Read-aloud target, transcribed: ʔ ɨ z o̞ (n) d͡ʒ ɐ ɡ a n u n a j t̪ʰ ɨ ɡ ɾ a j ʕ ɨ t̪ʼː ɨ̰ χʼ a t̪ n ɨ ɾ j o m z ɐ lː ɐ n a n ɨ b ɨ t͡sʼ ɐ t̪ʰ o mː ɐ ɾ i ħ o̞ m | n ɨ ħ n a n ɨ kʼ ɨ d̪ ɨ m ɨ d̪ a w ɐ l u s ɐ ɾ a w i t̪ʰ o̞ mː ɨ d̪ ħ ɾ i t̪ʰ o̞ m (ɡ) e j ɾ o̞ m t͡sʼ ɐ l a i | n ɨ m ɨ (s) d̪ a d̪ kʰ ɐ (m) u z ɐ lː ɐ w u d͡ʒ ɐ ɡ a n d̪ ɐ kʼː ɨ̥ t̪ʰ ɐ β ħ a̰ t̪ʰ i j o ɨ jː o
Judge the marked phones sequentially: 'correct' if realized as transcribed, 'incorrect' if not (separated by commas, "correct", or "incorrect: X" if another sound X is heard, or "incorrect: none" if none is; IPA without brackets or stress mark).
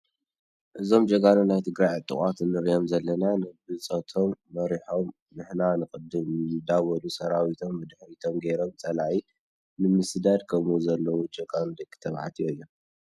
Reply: incorrect: m, correct, correct, correct